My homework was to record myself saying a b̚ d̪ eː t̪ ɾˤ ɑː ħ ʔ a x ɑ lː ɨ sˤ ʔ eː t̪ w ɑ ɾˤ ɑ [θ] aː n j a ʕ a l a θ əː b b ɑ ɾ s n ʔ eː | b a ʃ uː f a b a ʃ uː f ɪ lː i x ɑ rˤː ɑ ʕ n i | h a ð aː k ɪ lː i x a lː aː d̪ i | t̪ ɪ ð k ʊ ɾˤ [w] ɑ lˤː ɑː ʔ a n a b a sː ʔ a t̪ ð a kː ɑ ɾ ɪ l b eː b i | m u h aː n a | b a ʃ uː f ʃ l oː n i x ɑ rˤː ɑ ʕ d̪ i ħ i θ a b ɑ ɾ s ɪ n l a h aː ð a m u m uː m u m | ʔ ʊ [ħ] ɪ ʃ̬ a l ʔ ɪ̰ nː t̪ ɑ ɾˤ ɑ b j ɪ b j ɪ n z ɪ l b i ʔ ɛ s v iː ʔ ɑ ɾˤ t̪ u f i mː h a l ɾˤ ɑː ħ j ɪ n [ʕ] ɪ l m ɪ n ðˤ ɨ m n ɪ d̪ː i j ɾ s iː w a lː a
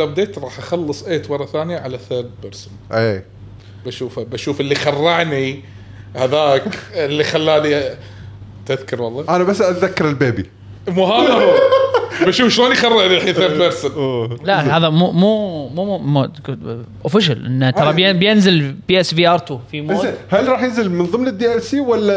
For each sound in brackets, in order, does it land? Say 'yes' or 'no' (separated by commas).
yes, yes, no, no